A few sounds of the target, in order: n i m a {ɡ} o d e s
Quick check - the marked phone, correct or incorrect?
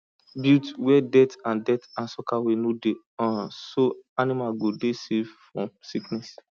correct